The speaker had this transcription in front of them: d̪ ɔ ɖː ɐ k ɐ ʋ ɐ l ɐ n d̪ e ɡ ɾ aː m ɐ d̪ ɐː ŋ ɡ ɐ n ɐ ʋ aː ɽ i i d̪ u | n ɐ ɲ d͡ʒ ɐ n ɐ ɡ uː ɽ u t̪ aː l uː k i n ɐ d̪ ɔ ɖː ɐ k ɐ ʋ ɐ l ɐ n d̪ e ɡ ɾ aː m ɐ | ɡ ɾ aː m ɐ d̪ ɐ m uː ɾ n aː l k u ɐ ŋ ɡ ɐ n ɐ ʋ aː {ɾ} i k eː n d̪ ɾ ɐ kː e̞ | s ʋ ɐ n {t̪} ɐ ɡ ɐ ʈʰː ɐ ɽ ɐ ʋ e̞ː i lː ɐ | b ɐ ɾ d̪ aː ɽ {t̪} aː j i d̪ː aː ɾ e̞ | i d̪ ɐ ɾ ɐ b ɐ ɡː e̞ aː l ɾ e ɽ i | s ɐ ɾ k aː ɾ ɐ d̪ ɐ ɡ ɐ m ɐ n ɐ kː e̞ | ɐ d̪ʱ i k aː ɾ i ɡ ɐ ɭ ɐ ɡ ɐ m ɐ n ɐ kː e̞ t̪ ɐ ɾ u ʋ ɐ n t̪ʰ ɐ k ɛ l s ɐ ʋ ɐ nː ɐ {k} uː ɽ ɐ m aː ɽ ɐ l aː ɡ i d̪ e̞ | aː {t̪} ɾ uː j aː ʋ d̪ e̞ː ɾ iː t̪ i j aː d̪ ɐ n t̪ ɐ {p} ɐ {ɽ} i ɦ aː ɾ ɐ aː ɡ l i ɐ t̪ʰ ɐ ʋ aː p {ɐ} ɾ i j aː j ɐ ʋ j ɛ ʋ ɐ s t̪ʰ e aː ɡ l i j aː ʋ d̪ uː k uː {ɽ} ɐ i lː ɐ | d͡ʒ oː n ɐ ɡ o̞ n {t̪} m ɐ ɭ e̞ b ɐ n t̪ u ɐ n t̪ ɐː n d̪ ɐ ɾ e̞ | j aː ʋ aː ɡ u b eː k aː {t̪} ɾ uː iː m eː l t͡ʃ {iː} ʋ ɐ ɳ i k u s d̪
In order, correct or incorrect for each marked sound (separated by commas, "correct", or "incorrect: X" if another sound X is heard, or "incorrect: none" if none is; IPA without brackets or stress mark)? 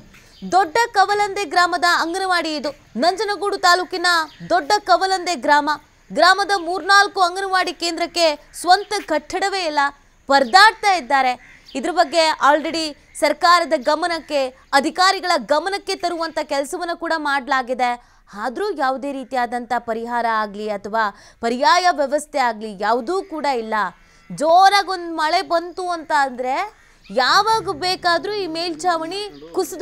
incorrect: ɽ, correct, correct, correct, incorrect: d̪, correct, incorrect: ɾ, correct, correct, incorrect: d̪, incorrect: d̪, incorrect: aː